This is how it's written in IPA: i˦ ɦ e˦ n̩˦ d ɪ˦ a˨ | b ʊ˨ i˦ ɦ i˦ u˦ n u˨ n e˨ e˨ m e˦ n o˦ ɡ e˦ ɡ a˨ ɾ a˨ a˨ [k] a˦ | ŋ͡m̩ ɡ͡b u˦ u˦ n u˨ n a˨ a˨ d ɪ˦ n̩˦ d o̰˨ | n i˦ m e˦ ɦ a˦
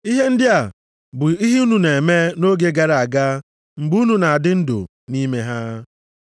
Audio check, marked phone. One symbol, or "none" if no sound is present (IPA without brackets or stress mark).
ɡ